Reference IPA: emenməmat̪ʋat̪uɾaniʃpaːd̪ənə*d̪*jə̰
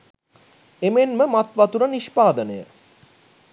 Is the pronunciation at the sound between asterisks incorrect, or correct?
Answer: incorrect: none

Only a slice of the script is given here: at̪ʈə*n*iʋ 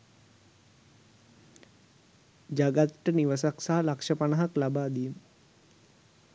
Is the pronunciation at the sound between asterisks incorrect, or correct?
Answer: correct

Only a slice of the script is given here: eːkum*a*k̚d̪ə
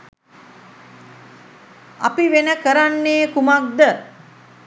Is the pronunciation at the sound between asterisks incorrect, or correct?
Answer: correct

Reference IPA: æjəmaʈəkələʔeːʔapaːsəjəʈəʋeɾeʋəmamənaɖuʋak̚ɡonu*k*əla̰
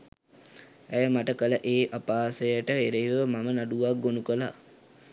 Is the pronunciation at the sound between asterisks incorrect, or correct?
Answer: correct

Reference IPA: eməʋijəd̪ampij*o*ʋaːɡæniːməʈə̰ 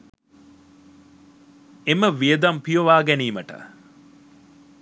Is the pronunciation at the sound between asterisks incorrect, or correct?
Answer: correct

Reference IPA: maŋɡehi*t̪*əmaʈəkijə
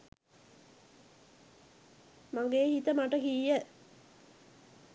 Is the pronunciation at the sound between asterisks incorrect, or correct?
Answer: correct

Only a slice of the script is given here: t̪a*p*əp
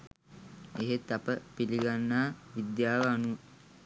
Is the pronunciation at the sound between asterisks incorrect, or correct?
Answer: correct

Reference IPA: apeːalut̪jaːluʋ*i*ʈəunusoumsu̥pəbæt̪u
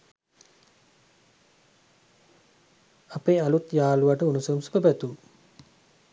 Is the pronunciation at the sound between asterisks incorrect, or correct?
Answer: incorrect: a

